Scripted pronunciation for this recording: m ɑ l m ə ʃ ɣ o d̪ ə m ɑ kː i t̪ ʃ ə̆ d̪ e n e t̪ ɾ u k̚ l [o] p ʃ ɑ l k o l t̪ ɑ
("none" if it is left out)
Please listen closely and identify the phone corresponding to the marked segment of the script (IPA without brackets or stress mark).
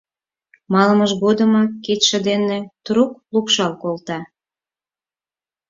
u